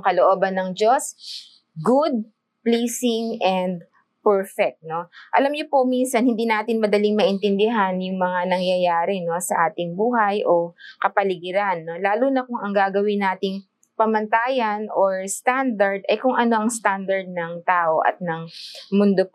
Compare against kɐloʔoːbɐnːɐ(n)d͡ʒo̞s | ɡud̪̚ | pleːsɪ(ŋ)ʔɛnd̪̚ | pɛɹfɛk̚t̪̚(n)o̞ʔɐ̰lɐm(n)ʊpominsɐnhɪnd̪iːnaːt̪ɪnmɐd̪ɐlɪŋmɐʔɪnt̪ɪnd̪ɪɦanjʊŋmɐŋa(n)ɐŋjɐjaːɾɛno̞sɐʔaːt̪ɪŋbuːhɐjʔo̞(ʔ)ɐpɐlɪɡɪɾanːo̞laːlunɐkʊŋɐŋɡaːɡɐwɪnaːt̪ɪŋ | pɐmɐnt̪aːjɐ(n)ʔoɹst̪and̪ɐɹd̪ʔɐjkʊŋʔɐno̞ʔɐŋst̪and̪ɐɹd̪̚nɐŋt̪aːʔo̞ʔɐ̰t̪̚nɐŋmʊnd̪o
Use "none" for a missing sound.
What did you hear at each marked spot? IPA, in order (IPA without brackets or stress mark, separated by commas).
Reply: ŋ, ŋ, n, ɲ, n, k, n